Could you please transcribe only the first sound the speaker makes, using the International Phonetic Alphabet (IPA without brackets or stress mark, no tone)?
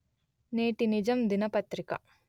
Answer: n